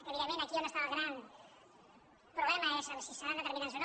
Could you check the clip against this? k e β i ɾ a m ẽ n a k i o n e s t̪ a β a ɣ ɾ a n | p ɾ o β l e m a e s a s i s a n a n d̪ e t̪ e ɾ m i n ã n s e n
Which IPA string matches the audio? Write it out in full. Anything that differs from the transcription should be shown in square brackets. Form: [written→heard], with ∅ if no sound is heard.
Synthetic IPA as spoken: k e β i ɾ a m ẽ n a k i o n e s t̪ a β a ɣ ɾ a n | p ɾ o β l e m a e s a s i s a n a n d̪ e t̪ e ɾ m i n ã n s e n